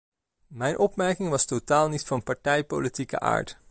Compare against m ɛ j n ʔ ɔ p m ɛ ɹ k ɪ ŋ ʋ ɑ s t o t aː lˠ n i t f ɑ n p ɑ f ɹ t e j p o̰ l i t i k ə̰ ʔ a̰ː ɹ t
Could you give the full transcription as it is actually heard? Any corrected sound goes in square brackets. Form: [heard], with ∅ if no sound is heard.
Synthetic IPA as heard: m ɛ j n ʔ ɔ p m ɛ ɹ k ɪ ŋ ʋ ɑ s t o t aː lˠ n i t f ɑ n p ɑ [∅] ɹ t [ɛ] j p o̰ l i t i k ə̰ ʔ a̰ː ɹ t